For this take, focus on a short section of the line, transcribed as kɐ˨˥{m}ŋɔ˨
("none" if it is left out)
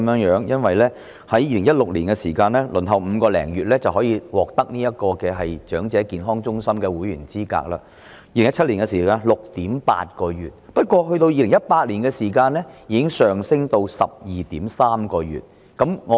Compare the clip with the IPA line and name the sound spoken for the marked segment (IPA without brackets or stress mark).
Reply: m